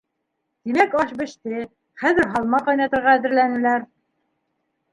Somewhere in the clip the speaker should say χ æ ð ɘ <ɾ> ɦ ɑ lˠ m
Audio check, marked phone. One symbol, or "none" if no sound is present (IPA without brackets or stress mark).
ɾ